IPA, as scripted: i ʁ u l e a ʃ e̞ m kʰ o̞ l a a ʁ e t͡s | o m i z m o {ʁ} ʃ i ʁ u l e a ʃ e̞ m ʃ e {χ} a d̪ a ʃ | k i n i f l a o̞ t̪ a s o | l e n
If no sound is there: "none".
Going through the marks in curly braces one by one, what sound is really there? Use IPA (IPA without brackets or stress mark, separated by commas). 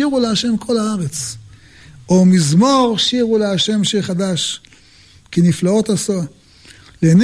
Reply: ʁ, χ